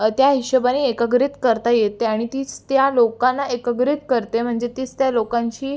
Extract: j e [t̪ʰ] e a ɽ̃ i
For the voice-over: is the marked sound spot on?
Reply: no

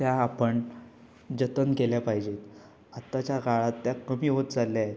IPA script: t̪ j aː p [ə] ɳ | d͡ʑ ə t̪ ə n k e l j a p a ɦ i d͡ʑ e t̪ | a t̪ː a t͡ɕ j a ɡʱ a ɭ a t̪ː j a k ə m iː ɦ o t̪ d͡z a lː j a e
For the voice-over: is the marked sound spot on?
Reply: yes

